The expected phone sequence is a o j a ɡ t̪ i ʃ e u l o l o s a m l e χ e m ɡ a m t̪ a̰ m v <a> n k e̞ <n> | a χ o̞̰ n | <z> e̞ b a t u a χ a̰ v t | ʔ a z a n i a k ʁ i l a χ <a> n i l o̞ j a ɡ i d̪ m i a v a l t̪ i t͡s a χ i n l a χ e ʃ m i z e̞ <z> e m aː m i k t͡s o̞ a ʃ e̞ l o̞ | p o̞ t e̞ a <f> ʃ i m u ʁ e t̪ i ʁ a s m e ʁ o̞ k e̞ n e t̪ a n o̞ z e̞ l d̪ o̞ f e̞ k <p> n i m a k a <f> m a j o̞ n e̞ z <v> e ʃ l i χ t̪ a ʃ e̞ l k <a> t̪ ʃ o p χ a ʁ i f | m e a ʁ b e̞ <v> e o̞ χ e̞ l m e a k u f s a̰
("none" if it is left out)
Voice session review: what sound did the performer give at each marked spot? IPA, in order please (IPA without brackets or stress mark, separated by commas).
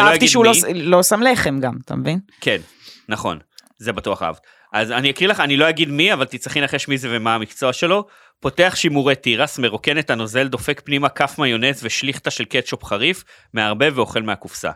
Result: i, nː, z, a, v, χ, p, f, v, e, v